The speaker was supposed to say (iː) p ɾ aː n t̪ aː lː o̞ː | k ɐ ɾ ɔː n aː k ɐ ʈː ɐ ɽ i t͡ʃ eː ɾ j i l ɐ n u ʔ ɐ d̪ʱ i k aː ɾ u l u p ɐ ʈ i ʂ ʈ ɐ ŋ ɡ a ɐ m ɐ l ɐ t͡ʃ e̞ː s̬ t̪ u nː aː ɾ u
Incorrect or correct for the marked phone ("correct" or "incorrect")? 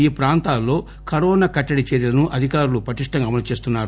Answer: correct